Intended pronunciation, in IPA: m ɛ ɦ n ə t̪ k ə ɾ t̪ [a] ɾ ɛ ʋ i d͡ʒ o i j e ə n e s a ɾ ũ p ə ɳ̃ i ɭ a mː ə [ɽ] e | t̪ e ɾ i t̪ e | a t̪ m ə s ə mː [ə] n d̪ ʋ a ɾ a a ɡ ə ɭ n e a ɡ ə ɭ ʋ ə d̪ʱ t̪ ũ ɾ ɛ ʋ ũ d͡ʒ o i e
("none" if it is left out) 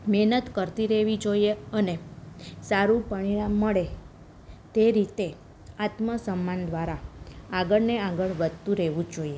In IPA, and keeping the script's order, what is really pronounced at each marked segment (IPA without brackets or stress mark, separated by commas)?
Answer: i, ɭ, a